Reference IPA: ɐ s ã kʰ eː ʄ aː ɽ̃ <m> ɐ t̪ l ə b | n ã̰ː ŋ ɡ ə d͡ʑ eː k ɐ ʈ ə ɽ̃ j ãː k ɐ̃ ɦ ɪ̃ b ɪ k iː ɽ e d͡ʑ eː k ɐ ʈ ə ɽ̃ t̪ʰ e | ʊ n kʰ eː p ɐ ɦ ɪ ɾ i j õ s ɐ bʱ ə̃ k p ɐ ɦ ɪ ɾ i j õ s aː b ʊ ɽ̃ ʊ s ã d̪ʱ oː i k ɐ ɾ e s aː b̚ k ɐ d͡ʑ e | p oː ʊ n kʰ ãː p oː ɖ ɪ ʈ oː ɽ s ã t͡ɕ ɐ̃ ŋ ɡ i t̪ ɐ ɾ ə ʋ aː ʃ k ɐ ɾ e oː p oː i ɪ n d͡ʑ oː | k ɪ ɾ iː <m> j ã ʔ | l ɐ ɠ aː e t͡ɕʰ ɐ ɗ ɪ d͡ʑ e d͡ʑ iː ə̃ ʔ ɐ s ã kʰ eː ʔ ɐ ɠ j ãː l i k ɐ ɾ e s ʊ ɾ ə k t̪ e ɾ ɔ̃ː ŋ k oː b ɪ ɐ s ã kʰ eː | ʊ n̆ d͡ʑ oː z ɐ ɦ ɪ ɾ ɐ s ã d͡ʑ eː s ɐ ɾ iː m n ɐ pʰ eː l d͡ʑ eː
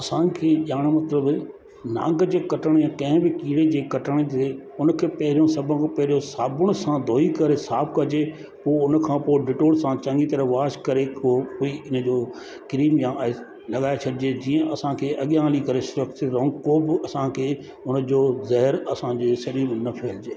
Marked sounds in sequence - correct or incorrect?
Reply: correct, correct

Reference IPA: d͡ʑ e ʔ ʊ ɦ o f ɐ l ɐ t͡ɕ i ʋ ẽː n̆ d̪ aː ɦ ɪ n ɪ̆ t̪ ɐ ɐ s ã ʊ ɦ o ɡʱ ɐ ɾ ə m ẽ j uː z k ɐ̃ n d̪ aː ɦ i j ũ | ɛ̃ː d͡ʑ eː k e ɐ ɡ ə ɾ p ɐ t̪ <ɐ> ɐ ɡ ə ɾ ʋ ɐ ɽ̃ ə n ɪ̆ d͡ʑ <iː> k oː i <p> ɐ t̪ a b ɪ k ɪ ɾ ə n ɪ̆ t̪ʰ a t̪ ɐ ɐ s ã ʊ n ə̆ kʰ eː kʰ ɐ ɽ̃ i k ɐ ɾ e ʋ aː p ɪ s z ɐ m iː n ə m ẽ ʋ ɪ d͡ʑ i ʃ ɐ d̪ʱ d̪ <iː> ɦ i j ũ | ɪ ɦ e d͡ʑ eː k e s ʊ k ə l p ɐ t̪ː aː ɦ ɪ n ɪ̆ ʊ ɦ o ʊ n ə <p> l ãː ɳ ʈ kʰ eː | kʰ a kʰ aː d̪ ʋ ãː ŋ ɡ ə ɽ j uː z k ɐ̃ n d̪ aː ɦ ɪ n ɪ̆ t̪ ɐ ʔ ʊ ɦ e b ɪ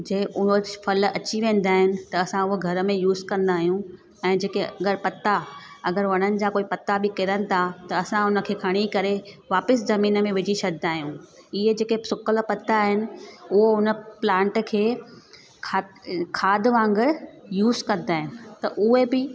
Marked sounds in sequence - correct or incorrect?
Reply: incorrect: a, incorrect: aː, correct, incorrect: aː, correct

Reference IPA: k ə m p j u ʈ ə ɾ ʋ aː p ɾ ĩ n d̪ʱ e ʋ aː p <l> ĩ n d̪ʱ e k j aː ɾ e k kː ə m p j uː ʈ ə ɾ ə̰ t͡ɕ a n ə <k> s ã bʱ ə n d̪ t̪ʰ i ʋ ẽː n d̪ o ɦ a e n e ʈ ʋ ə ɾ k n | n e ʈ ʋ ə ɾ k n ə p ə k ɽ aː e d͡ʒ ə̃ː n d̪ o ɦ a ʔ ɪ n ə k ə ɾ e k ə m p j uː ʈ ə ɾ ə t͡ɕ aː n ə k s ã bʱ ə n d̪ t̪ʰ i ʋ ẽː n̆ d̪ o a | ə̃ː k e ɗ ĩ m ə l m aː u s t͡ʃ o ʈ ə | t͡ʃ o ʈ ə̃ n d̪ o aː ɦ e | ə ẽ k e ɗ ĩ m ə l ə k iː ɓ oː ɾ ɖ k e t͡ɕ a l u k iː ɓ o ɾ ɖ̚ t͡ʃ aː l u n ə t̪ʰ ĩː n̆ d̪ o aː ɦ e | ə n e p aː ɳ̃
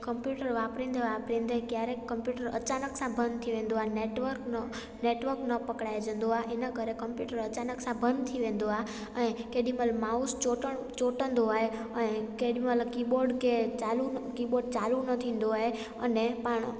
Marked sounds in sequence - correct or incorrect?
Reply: incorrect: ɾ, correct

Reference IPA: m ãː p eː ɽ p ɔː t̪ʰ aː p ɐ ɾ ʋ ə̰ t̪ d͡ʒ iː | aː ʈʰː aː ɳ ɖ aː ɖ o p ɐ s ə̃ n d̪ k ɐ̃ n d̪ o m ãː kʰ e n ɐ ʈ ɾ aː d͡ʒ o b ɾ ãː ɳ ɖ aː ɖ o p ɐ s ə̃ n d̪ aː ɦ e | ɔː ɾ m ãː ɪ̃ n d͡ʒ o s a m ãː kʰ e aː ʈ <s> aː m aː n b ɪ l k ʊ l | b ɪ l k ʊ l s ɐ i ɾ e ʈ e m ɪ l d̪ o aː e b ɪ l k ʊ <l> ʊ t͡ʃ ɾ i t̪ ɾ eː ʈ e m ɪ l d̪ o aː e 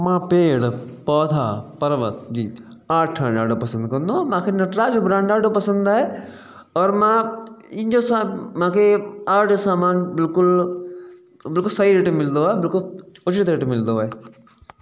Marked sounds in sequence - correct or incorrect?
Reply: correct, correct

